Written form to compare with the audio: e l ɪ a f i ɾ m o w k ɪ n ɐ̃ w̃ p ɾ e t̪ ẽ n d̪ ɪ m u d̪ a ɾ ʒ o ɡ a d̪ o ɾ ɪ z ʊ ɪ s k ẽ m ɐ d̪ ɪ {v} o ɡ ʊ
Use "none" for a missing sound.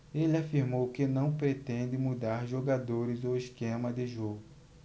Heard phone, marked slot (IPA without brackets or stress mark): ʒ